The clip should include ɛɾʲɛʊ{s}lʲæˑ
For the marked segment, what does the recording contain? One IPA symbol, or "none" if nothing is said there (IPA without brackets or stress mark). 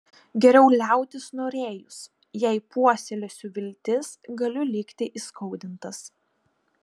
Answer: none